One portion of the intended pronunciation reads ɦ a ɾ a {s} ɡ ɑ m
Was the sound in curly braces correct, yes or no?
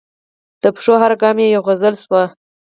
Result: no